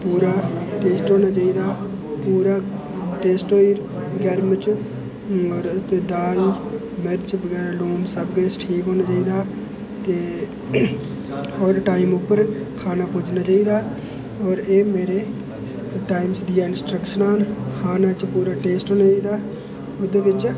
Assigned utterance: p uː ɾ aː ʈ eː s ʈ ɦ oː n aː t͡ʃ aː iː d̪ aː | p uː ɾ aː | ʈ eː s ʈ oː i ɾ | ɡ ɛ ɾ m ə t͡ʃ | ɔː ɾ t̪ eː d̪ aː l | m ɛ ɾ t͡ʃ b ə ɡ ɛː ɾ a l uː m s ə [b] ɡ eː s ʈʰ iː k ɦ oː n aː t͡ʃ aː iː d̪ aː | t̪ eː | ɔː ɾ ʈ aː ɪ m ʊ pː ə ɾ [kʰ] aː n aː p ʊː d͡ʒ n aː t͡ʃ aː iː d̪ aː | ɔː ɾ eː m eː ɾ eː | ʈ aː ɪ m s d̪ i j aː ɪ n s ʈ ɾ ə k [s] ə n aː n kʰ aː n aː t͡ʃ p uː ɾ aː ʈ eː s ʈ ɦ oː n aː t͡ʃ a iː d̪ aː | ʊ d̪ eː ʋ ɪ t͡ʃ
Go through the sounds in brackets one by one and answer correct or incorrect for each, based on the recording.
correct, correct, incorrect

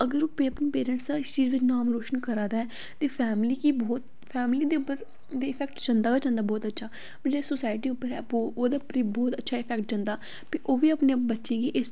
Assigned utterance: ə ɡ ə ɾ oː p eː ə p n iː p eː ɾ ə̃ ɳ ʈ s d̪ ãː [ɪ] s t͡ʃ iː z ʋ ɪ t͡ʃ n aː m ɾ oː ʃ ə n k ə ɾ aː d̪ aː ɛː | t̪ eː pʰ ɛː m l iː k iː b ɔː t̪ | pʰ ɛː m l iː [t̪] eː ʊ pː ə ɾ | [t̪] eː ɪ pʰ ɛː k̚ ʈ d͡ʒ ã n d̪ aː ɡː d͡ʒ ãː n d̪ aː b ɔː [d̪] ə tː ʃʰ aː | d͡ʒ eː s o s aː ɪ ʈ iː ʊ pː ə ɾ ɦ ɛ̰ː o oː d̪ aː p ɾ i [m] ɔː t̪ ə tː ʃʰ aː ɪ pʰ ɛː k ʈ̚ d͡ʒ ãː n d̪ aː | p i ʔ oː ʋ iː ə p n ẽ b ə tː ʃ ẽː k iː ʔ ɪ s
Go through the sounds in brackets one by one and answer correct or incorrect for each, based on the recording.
correct, incorrect, incorrect, incorrect, incorrect

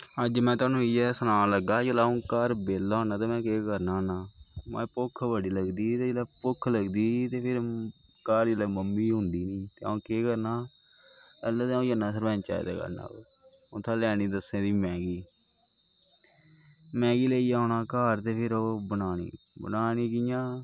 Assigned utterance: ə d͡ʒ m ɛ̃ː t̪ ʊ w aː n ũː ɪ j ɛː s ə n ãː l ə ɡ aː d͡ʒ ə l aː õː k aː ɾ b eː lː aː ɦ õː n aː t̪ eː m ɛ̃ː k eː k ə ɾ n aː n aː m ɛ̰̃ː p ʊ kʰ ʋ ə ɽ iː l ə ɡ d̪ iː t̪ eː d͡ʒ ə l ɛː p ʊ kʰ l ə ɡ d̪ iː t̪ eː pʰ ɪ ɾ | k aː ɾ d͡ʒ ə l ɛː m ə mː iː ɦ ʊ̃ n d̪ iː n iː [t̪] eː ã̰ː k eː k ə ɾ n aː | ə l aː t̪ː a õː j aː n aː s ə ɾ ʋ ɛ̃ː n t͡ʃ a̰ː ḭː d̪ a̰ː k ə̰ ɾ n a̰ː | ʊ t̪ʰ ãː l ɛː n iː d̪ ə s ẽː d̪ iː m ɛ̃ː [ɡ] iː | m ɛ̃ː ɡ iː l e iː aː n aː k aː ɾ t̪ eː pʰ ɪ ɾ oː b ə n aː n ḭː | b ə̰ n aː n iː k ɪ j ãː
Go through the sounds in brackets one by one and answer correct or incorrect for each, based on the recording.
correct, correct

